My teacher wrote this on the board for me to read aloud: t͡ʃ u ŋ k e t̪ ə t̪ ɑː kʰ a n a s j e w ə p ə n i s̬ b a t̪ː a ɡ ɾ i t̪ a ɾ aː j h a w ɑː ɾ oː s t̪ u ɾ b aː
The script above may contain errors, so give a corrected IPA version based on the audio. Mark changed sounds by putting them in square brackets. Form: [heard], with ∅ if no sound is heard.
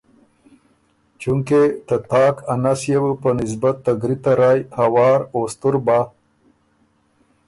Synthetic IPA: t͡ʃ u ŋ k e t̪ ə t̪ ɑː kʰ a n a s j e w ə p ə n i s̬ b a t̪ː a ɡ ɾ i t̪ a ɾ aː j h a w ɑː ɾ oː s t̪ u ɾ b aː